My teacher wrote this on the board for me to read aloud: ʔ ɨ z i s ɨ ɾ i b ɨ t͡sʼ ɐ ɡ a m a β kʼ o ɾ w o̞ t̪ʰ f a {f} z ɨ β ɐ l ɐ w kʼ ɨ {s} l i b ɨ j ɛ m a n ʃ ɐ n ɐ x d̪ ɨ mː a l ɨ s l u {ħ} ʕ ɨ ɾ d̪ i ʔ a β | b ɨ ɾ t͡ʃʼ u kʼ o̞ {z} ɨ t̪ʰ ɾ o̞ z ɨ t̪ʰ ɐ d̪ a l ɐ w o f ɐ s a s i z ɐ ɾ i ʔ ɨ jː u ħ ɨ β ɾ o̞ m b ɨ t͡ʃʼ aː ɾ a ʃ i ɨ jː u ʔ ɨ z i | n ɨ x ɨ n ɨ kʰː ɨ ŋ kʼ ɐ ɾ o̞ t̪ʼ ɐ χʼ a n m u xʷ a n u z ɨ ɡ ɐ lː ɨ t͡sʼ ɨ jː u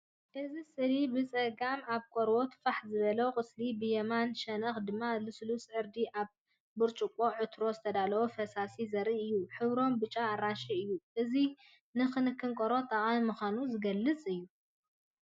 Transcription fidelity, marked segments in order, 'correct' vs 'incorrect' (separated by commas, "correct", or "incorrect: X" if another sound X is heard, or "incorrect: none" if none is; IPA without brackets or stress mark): incorrect: ħ, correct, incorrect: s, incorrect: ʕ